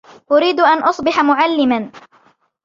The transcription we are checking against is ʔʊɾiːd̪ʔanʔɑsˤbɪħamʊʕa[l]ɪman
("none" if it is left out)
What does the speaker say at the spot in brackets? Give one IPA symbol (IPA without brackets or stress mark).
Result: lː